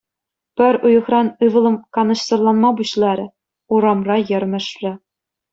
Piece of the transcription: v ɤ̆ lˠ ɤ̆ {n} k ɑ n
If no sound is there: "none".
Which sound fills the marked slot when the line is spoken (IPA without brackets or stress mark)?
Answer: m